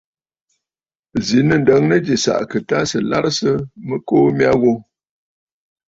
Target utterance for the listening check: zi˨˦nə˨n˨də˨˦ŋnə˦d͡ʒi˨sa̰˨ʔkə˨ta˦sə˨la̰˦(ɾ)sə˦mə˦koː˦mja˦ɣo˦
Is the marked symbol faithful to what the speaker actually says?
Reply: yes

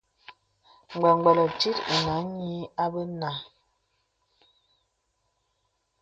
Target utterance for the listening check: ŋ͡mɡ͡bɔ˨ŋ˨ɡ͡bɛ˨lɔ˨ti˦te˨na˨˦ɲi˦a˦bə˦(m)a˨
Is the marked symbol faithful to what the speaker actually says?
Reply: no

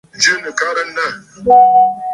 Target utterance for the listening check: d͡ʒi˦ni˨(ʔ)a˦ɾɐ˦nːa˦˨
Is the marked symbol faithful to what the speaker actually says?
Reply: no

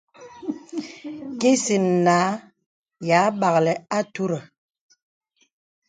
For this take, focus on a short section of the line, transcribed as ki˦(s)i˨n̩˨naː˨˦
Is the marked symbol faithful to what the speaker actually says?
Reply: yes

